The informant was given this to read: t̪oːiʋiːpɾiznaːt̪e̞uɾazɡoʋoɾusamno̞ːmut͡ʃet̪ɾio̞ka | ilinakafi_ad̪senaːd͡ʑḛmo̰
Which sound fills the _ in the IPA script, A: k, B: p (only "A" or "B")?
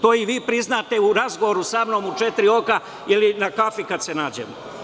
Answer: A